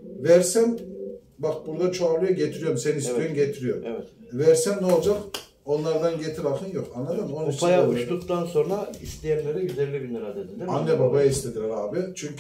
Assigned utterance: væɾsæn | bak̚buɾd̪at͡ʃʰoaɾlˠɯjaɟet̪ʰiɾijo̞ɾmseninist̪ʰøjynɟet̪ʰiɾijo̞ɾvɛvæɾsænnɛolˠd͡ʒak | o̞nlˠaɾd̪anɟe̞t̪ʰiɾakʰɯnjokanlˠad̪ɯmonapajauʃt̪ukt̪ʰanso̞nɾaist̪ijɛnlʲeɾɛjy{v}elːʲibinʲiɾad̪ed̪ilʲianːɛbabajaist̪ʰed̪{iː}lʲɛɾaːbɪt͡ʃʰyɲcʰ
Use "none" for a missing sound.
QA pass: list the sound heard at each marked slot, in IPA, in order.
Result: z, i

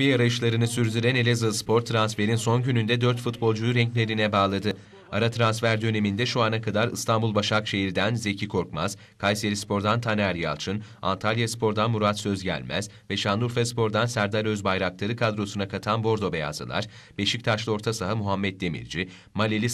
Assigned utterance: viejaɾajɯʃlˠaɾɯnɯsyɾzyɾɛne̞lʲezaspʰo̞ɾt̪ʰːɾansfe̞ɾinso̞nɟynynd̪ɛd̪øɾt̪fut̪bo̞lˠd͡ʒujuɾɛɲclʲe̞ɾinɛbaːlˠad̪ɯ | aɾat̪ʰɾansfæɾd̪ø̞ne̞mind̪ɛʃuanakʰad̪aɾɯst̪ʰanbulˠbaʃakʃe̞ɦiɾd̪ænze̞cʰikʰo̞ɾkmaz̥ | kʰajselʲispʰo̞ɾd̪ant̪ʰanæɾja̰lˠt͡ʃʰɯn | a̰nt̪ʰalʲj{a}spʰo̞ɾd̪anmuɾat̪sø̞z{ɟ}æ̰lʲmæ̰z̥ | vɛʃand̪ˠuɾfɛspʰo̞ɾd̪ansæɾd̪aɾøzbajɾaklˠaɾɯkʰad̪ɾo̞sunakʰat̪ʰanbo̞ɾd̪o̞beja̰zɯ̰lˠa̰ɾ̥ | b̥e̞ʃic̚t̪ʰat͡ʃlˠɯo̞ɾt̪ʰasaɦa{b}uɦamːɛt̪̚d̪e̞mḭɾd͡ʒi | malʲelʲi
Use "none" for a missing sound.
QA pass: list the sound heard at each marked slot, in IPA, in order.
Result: a, ɟ, m

